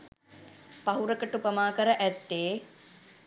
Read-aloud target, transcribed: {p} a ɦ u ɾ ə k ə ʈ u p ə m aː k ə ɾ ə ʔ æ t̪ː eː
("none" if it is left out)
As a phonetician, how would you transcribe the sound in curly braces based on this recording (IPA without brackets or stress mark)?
p